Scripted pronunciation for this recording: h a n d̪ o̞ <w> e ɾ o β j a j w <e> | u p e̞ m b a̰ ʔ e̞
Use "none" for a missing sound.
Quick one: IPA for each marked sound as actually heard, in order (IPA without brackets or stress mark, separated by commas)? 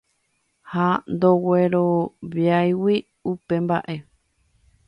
w, i